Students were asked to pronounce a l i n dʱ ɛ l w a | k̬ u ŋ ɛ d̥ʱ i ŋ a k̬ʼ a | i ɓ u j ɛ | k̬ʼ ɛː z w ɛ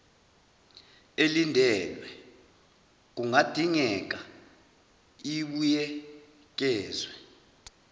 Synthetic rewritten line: e l i n dʱ ɛ l w ɛ | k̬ u ŋ a d̥ʱ i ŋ ɛ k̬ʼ a | i ɓ u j ɛ | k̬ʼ ɛː z w ɛ